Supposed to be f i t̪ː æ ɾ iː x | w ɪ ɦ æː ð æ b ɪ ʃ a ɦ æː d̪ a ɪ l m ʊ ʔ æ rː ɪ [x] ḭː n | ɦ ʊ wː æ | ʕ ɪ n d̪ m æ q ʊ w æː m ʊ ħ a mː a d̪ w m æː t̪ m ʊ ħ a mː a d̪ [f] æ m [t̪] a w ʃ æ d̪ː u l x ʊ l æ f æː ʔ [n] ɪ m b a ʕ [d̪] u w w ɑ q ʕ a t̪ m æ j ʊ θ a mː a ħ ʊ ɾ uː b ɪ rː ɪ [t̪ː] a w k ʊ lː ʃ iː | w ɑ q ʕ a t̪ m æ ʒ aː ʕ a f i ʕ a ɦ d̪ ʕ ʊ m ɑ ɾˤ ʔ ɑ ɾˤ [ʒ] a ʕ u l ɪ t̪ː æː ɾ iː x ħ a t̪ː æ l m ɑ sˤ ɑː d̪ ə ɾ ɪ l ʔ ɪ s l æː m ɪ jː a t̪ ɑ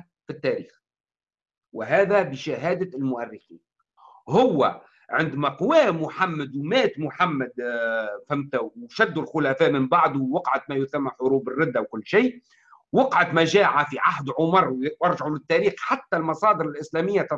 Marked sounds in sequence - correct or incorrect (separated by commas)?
correct, correct, correct, incorrect, correct, incorrect, correct